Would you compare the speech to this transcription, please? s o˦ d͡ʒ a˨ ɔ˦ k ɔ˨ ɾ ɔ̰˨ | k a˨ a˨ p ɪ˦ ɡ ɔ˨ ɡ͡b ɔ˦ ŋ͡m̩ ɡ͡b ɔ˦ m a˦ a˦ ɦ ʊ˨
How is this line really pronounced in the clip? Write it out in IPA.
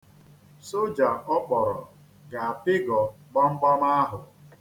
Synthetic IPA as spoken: s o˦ d͡ʒ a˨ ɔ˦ k͡p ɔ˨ ɾ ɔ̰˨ | ɡ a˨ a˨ p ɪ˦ ɡ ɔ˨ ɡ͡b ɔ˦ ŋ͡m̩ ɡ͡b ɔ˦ m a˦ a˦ ɦ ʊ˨